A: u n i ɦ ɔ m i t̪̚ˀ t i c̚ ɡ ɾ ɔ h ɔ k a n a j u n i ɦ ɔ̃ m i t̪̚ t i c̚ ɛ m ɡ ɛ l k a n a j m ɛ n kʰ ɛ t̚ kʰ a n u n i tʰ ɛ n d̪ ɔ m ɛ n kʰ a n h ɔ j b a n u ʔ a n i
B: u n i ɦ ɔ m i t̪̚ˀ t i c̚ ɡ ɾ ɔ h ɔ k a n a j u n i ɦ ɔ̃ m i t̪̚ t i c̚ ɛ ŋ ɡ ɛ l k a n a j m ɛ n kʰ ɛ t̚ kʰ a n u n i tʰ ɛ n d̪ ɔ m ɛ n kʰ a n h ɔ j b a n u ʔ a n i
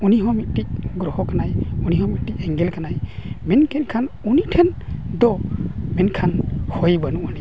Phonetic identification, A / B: B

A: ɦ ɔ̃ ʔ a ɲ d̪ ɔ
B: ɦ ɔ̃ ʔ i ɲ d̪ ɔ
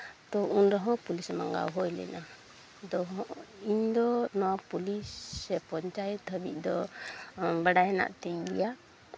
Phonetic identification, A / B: B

